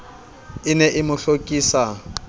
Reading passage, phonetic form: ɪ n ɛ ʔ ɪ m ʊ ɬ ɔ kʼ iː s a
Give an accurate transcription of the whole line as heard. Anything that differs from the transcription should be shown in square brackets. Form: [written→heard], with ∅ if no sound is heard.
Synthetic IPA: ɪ n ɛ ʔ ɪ m ʊ ɬ [ɔ→o] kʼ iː s a

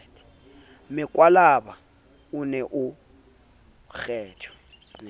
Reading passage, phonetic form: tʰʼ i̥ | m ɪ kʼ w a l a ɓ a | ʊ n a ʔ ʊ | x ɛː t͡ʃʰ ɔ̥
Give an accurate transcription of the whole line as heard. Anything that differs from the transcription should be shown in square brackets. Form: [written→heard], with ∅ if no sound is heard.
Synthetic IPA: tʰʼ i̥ | m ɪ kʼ w a l a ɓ a | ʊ n [a→ɛ] ʔ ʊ | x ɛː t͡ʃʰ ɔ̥

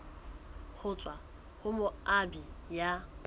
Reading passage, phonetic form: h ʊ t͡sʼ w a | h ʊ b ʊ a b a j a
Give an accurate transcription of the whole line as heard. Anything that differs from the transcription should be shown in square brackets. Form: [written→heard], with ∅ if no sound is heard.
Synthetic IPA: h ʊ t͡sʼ w a | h ʊ [b→m] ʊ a b [a→i] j a

